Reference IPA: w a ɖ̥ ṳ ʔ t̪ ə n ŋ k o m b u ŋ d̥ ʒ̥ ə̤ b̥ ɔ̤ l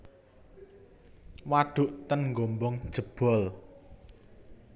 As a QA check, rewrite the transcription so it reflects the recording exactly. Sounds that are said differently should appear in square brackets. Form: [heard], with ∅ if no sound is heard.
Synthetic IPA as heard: w a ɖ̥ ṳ ʔ t̪ ə n ŋ [ɡ] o m b [ɔ] ŋ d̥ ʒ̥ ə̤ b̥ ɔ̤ l